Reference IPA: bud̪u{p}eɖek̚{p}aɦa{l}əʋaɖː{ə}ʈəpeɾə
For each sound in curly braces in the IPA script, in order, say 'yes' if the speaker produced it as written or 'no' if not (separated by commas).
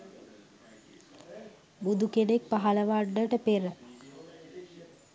no, yes, yes, yes